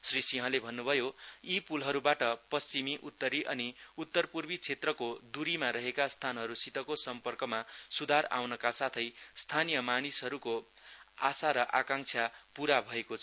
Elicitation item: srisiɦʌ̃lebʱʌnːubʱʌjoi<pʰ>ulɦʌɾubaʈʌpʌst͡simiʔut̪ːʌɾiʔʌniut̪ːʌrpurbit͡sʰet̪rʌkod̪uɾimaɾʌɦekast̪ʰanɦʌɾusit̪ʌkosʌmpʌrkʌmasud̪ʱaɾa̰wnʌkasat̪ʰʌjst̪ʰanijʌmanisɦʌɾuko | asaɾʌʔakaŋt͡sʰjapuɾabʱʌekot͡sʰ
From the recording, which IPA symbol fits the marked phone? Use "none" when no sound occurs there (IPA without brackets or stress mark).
p